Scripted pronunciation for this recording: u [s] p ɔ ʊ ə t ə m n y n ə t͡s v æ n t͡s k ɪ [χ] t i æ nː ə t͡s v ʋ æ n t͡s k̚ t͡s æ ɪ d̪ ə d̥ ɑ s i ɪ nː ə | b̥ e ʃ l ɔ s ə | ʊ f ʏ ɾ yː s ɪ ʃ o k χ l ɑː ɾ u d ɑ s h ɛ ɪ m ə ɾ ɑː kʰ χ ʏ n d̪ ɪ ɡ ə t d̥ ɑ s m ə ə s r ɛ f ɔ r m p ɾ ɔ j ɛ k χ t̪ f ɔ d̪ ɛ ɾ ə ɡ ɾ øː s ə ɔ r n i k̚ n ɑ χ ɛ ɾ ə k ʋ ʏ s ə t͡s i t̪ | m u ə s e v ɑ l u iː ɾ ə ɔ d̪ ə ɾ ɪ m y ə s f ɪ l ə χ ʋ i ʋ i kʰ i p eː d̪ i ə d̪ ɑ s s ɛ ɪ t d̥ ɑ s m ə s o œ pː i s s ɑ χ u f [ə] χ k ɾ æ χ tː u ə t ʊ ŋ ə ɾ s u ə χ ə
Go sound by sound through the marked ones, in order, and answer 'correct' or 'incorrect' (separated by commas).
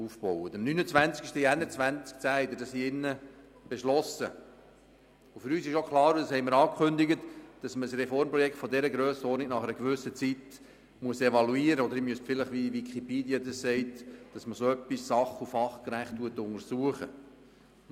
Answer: incorrect, incorrect, incorrect